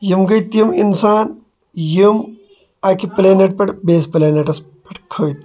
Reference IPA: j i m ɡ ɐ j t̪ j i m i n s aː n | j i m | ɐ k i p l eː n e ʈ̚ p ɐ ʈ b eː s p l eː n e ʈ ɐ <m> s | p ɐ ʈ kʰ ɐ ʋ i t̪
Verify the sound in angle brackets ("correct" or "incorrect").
incorrect